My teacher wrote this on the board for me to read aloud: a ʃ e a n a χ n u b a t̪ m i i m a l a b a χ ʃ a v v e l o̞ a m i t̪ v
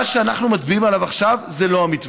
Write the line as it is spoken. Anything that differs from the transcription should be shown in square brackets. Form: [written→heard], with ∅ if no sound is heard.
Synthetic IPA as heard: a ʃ e a n a χ n u [b→m] a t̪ [m→b] i i m a l a [b→v] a χ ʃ a v [v→z] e l o̞ a m i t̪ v